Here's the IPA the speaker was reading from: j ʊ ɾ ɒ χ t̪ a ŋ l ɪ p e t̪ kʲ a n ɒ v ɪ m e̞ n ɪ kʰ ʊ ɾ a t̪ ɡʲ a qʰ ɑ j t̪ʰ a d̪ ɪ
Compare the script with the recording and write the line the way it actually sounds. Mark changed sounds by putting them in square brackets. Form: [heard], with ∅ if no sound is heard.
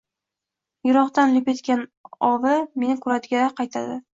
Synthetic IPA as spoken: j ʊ ɾ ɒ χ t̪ a [n] l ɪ p e t̪ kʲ a n ɒ v ɪ m e̞ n ɪ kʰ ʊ ɾ a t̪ ɡʲ a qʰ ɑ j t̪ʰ a d̪ ɪ